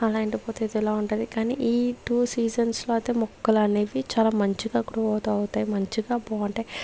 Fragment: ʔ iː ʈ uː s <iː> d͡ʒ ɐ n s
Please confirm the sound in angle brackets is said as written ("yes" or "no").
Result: yes